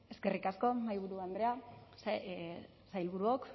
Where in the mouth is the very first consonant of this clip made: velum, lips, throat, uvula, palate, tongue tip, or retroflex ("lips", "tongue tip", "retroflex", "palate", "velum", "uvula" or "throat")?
tongue tip